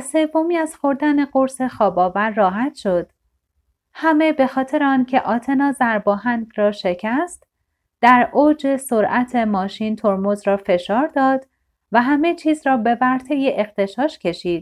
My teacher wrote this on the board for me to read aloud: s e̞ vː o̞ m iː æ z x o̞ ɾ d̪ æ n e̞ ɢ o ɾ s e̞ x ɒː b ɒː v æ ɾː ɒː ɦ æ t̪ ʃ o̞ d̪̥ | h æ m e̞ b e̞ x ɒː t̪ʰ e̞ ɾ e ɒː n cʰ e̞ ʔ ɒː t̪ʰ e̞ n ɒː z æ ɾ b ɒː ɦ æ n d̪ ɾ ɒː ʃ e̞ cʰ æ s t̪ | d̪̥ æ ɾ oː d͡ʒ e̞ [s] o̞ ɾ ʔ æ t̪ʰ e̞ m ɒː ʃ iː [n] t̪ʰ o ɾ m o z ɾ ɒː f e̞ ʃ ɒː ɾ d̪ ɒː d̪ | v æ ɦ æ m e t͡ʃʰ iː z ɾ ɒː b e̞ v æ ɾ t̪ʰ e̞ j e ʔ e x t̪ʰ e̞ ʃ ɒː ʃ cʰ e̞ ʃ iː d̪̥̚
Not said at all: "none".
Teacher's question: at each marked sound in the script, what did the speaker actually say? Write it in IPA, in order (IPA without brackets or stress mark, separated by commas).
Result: s, n